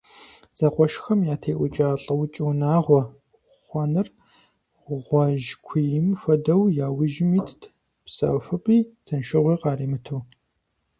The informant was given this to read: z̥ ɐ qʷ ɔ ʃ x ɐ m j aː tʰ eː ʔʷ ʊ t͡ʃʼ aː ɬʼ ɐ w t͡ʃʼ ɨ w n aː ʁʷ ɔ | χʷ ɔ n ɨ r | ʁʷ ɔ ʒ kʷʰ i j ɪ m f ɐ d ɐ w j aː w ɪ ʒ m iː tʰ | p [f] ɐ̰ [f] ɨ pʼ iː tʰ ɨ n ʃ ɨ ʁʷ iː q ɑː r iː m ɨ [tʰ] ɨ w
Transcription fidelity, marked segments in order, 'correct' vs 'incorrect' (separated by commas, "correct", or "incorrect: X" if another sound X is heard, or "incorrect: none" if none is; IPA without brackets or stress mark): incorrect: s, correct, correct